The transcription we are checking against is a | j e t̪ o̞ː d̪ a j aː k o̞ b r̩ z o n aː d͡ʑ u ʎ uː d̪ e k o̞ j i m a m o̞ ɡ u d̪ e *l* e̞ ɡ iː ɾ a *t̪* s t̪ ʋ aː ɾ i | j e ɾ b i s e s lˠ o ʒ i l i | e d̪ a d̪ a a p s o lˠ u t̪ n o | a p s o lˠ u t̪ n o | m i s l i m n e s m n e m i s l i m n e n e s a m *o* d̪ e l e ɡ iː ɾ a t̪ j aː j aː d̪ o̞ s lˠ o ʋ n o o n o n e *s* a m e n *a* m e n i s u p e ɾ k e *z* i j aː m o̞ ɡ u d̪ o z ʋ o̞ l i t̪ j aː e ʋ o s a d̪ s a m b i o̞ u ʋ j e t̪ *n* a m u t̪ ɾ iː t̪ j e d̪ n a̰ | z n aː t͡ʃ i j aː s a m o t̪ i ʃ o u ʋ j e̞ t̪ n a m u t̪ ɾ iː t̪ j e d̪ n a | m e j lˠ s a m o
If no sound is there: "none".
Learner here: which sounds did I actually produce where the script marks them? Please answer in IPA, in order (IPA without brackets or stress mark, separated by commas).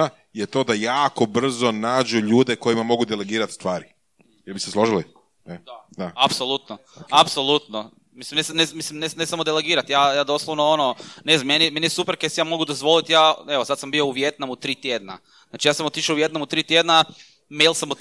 l, t̪, o, z, i, s, n